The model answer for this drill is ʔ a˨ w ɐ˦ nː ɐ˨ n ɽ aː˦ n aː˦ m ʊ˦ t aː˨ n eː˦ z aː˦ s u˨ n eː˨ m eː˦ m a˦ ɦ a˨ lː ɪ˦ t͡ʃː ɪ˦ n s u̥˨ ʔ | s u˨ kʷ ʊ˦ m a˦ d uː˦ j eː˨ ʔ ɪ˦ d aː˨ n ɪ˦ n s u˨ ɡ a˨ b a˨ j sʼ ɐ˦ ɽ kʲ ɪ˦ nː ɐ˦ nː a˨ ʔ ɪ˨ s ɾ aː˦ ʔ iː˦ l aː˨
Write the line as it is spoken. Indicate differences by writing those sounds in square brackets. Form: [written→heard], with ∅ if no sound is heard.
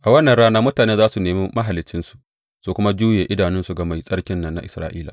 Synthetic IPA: ʔ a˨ w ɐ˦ nː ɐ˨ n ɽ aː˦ n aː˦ m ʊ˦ t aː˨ n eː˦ z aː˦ s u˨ n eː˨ m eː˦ m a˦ ɦ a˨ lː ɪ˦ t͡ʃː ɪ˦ n s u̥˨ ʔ | s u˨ kʷ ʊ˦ m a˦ [d→d͡ʒ] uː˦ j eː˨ ʔ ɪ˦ d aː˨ n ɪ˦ n s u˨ ɡ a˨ [b→m] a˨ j sʼ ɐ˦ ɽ kʲ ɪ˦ nː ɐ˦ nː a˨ ʔ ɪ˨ s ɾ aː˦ ʔ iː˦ l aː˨